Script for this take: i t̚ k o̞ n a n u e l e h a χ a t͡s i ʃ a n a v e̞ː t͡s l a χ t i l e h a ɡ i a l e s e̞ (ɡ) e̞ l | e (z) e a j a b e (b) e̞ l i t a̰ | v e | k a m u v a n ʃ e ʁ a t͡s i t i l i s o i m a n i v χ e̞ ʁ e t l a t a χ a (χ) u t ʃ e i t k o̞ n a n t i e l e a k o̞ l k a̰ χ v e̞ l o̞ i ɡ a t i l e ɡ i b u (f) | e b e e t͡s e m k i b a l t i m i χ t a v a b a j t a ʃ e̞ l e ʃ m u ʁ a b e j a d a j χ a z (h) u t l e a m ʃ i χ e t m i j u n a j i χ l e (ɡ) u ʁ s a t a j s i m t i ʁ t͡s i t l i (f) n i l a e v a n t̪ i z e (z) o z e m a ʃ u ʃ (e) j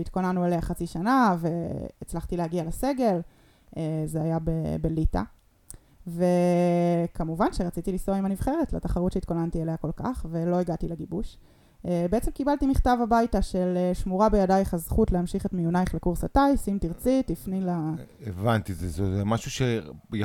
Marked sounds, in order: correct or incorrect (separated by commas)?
correct, correct, correct, incorrect, incorrect, incorrect, incorrect, correct, correct, correct